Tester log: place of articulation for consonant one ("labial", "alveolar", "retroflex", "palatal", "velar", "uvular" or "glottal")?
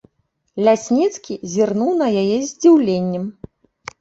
alveolar